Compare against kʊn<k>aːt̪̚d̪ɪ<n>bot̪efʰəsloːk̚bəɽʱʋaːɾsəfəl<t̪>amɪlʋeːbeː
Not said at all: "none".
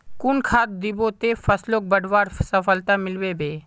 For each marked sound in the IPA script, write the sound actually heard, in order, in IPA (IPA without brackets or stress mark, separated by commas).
kʰ, none, t̪